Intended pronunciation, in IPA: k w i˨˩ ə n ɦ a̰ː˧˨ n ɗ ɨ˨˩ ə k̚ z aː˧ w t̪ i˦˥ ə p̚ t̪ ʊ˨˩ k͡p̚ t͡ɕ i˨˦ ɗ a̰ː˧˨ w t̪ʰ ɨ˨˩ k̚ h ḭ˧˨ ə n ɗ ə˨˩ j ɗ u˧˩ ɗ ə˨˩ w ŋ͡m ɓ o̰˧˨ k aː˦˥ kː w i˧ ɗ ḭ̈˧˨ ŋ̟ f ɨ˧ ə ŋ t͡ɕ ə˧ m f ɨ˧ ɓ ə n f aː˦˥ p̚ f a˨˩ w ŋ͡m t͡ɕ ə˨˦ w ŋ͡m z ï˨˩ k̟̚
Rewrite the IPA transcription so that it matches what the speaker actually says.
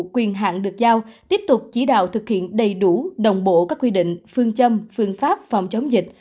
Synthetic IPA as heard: k w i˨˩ ə n ɦ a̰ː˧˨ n ɗ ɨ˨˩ ə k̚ z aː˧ w t̪ i˦˥ ə p̚ t̪ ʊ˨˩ k͡p̚ t͡ɕ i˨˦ ɗ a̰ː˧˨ w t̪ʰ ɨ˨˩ k̚ h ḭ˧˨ ə n ɗ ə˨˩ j ɗ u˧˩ ɗ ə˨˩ w ŋ͡m ɓ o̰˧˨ k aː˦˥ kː w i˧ ɗ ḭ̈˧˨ ŋ̟ f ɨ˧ ə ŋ t͡ɕ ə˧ m f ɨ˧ ə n f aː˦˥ p̚ f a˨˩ w ŋ͡m t͡ɕ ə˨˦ w ŋ͡m z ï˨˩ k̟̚